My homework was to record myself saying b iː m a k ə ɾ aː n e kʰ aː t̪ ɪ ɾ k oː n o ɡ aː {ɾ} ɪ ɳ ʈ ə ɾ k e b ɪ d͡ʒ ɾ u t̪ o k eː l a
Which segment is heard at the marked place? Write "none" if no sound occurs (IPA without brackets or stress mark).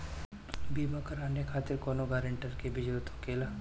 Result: ɾ